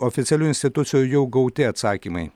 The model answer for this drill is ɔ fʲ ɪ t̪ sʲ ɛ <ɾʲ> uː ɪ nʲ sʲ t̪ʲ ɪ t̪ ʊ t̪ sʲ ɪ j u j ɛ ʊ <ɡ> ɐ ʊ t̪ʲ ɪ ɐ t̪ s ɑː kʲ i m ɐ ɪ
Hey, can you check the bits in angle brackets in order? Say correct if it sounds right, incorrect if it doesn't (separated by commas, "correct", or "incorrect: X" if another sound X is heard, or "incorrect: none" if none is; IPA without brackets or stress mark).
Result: incorrect: lʲ, correct